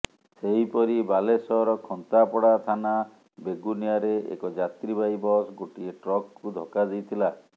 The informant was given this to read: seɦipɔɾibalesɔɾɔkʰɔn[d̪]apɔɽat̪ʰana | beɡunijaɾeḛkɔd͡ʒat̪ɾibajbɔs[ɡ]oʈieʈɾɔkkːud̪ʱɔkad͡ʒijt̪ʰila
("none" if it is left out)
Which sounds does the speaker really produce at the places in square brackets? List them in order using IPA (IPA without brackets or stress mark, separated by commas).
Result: t̪, ɡ